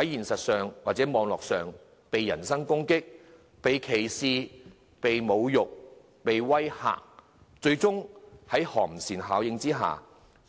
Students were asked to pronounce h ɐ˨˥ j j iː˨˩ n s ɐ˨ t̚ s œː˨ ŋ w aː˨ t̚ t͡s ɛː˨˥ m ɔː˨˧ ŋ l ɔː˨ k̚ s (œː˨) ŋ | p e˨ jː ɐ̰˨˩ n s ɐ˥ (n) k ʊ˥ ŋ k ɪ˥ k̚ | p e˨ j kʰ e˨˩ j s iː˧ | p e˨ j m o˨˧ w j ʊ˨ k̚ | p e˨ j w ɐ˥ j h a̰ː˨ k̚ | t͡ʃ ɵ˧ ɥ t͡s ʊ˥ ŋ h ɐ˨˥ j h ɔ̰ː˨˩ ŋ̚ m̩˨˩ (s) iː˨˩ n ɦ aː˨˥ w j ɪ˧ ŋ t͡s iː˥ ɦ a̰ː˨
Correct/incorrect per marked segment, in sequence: correct, incorrect, correct

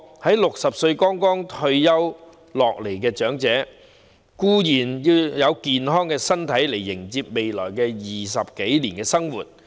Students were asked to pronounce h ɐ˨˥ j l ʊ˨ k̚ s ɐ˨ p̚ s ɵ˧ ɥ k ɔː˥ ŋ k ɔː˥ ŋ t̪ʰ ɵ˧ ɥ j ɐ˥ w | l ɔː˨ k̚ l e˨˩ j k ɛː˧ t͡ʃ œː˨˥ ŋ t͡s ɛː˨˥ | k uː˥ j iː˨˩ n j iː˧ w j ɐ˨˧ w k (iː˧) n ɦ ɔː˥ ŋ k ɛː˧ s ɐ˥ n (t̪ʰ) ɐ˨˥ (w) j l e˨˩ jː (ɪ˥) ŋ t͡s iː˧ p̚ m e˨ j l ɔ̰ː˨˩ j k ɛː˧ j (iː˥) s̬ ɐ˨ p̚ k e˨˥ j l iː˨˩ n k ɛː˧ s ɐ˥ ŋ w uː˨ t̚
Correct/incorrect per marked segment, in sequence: correct, correct, incorrect, incorrect, incorrect

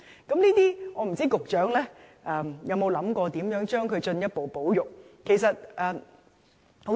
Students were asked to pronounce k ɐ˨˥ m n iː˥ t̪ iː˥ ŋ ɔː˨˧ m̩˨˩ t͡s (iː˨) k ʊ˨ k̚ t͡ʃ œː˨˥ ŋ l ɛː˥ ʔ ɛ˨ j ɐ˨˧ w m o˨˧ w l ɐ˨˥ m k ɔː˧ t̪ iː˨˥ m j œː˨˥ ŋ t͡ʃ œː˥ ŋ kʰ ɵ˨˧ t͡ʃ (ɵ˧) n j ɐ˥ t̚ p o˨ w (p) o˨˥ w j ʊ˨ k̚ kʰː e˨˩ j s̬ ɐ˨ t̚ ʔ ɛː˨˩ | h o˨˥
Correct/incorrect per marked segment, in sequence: incorrect, correct, correct

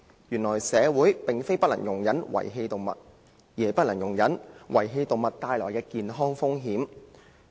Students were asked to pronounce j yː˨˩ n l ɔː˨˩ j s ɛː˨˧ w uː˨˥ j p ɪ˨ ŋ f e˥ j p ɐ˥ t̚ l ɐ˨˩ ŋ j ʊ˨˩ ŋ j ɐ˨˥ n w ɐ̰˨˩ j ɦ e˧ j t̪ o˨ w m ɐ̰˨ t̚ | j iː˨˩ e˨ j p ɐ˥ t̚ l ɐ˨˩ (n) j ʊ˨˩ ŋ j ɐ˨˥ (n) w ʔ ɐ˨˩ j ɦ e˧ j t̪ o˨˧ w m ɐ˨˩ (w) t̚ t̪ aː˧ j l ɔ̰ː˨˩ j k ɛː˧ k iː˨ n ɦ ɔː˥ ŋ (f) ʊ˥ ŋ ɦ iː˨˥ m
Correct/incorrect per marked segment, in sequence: incorrect, correct, incorrect, correct

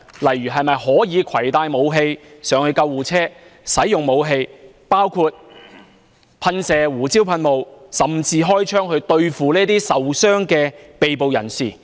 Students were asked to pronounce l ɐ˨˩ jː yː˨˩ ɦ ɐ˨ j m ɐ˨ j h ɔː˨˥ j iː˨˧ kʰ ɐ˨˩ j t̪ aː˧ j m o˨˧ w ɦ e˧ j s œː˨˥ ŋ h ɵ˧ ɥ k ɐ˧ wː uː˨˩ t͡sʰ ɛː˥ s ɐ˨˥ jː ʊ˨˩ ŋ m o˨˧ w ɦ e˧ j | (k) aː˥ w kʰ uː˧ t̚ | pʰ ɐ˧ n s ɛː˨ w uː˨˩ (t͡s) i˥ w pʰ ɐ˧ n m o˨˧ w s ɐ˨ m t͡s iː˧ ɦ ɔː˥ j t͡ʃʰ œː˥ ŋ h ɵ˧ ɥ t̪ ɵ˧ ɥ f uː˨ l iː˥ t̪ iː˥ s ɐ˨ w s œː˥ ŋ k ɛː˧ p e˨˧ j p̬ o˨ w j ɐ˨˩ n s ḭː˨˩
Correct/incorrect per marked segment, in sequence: incorrect, correct

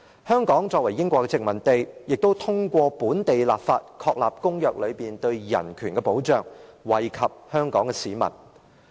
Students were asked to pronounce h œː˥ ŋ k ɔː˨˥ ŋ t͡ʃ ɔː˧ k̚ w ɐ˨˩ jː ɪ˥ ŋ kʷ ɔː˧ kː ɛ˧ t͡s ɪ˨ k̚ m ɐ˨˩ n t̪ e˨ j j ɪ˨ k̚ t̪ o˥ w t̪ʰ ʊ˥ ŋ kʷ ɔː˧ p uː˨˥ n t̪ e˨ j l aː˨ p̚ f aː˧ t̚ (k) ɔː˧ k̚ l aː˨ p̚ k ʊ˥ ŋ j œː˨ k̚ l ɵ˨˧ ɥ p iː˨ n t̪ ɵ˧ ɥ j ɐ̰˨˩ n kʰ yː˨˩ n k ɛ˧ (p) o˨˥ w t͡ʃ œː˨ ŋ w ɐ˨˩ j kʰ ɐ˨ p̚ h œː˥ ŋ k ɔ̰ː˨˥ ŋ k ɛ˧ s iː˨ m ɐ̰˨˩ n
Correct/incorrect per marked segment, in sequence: incorrect, correct

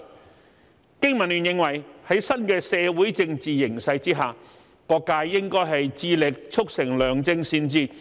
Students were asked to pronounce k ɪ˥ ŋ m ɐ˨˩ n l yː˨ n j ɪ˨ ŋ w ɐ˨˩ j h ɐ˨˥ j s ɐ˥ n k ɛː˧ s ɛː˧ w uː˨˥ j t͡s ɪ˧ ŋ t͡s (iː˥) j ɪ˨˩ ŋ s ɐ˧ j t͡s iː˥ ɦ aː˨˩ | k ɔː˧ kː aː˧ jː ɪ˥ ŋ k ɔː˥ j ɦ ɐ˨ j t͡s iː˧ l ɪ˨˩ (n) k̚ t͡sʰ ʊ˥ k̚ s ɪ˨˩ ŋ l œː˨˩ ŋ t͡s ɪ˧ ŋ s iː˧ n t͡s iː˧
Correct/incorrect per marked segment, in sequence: incorrect, incorrect

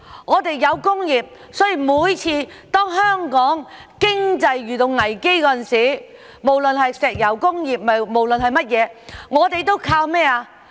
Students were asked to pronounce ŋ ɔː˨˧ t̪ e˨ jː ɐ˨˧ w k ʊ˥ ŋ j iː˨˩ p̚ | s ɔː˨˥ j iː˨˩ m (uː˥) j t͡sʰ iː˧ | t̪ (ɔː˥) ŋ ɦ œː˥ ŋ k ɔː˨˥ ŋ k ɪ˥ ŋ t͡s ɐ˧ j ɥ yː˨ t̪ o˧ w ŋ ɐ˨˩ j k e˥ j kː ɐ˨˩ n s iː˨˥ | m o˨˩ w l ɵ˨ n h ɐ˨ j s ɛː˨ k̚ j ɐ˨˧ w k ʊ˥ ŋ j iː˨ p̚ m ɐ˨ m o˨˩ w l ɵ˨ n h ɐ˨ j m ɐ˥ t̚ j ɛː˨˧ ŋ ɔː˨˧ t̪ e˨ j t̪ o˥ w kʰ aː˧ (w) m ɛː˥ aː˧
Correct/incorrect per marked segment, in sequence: incorrect, correct, correct

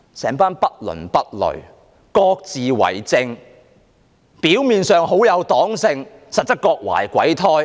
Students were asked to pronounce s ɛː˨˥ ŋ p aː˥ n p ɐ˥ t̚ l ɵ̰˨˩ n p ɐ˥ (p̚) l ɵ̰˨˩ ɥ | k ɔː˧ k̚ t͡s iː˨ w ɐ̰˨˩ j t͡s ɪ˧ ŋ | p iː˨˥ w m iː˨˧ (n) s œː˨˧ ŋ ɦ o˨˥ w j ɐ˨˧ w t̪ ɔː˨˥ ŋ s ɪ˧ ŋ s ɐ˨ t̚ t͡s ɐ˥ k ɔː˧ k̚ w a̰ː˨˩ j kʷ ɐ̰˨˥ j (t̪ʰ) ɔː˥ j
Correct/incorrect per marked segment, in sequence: incorrect, correct, correct

